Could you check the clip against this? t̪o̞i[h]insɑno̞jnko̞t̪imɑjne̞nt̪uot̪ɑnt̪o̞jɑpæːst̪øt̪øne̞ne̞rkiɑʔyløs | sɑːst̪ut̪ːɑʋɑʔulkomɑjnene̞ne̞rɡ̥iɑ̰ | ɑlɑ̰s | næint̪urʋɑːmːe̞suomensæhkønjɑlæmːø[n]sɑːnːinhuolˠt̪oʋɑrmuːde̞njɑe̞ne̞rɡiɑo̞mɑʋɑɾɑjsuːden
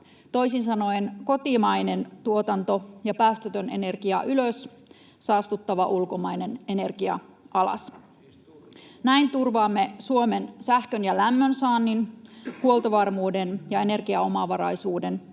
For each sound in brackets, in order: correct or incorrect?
incorrect: s, correct

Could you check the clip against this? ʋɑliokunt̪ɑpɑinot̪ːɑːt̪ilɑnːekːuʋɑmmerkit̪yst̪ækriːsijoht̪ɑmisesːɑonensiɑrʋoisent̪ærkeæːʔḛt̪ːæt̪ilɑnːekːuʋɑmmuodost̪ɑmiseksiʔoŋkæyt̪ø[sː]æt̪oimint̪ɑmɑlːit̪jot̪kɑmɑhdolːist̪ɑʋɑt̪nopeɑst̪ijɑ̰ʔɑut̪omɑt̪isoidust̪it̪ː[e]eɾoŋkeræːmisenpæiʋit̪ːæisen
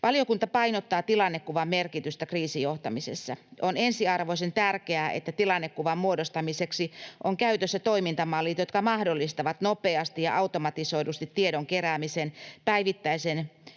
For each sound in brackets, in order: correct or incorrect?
correct, incorrect: i

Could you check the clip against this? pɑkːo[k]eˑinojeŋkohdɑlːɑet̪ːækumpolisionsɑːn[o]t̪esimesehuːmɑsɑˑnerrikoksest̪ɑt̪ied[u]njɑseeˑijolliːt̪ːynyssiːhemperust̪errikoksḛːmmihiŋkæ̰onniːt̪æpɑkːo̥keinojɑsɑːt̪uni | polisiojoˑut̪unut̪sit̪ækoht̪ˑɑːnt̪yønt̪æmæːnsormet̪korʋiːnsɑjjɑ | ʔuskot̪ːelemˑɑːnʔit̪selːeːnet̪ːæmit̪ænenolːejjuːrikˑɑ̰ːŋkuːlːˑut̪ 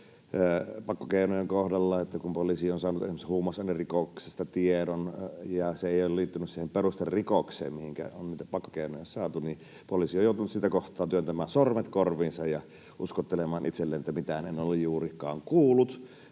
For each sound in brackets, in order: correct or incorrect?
correct, incorrect: u, incorrect: o

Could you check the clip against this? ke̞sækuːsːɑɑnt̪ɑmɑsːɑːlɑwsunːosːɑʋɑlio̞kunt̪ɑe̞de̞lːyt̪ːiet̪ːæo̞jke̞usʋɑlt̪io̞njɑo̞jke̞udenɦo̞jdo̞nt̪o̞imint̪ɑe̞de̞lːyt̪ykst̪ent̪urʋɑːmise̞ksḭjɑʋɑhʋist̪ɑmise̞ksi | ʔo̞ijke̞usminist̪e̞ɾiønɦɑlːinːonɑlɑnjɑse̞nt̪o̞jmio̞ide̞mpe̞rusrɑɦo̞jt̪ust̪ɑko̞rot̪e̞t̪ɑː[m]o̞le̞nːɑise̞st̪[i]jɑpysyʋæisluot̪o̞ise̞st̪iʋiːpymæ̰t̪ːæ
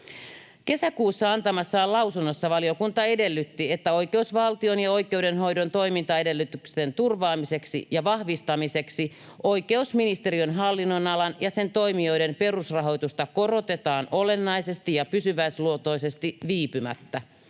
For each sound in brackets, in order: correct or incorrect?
incorrect: n, correct

